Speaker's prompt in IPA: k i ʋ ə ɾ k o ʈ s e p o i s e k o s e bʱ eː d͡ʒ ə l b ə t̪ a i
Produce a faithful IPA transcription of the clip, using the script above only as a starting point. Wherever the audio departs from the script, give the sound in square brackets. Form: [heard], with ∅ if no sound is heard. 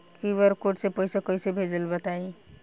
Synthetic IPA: k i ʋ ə ɾ k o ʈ s e p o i s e k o s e bʱ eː d͡ʒ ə l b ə t̪ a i